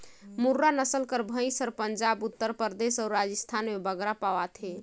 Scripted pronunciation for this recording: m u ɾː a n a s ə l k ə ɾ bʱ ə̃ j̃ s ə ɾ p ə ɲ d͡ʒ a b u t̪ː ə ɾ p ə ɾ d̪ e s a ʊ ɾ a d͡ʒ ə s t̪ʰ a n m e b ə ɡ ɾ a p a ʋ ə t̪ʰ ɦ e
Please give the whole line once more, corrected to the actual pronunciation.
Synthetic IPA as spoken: m u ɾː a n ə s ə l k ə ɾ bʱ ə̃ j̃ s ə ɾ p ə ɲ d͡ʒ a b u t̪ː ə ɾ p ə ɾ d̪ e s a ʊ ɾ a d͡ʒ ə s t̪ʰ a n m e b ə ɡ ɾ a p a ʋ a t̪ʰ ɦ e